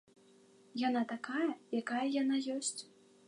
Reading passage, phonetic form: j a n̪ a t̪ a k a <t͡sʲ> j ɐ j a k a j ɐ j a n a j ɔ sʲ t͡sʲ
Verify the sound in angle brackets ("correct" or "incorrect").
incorrect